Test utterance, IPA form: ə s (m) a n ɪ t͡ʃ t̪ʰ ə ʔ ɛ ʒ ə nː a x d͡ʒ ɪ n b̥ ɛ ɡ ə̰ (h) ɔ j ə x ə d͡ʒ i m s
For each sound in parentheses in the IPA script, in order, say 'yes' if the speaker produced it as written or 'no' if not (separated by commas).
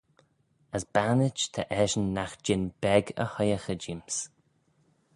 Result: no, yes